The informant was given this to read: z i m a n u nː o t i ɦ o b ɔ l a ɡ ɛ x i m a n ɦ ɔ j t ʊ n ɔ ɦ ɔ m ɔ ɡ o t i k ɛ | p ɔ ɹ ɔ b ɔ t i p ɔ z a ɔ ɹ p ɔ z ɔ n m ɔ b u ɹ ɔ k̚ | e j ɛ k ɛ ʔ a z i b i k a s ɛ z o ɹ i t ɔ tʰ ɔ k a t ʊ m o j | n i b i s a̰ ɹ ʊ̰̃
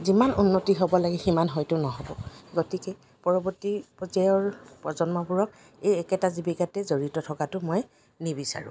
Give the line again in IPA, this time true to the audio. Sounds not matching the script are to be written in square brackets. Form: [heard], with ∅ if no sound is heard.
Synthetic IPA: z i m a n u nː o t i ɦ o b ɔ l a ɡ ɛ x i m a n ɦ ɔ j t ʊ n ɔ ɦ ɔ [b] ɔ ɡ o t i k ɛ | p ɔ ɹ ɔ b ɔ t i p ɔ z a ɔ ɹ p ɔ z ɔ n m ɔ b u ɹ ɔ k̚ | e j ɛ k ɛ [t] a z i b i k a [t] ɛ z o ɹ i t ɔ tʰ ɔ k a t ʊ m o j | n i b i s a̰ ɹ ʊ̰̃